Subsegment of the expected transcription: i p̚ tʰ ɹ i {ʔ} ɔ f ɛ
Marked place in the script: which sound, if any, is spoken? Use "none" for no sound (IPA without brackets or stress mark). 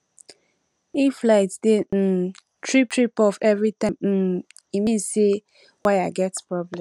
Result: p